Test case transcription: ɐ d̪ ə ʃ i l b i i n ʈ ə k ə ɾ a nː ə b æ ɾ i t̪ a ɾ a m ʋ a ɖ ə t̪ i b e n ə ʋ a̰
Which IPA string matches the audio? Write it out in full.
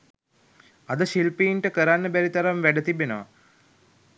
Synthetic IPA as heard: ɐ d̪ ə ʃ i l p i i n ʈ ə k ə ɾ a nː ə b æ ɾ i t̪ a ɾ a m ʋ æ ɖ ə t̪ i b e n ə ʋ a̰